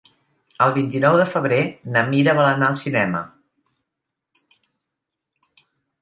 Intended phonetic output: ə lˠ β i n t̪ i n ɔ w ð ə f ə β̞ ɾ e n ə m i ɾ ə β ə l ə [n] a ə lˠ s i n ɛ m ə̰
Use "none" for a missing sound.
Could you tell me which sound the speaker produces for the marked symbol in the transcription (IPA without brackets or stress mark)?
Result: n